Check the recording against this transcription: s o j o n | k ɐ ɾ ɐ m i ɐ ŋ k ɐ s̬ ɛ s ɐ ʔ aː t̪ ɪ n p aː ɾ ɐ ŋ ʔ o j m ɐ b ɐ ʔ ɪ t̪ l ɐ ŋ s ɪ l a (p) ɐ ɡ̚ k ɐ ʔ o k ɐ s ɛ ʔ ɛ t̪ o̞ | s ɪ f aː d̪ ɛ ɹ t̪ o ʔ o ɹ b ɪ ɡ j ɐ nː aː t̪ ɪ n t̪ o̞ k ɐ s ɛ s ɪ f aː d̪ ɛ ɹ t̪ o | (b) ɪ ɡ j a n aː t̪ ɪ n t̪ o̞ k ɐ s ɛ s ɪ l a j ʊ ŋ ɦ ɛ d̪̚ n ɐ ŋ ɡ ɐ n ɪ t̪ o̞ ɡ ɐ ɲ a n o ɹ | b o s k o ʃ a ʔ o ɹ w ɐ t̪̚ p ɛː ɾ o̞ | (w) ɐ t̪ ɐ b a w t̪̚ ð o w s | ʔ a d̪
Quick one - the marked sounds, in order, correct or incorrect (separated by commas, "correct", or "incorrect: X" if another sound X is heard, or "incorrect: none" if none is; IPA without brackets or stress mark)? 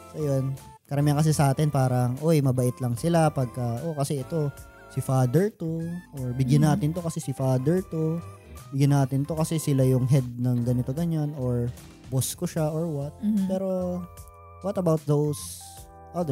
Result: correct, correct, correct